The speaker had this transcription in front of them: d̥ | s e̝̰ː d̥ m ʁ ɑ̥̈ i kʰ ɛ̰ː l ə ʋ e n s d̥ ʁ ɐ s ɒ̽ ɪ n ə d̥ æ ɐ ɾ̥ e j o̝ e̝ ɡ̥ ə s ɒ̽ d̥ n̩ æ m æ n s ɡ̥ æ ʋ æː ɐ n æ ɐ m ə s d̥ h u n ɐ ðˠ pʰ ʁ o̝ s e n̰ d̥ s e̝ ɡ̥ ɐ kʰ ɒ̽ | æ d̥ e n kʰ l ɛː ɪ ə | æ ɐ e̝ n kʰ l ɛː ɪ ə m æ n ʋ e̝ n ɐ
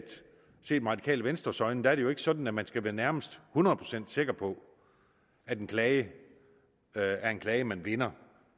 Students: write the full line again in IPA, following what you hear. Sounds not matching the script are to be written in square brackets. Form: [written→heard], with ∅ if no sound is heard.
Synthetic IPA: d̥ | s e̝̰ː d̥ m ʁ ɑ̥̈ i kʰ ɛ̰ː l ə ʋ e n s d̥ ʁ ɐ s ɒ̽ ɪ n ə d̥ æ ɐ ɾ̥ e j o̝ e̝ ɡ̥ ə s ɒ̽ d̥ n̩ æ m æ n s ɡ̥ æ ʋ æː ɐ n æ ɐ m ə s d̥ h u n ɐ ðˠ pʰ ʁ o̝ s e n̰ d̥ s e̝ ɡ̥ ɐ [kʰ→pʰ] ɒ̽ | æ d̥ e n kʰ l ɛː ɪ ə | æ ɐ e̝ n kʰ l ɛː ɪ ə m æ n ʋ e̝ n ɐ